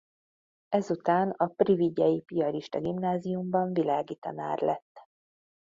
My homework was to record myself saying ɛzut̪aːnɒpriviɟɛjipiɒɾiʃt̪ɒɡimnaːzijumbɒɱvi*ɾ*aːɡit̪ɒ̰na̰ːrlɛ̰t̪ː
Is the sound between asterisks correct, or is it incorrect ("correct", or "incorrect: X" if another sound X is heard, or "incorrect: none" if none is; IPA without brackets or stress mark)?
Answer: incorrect: l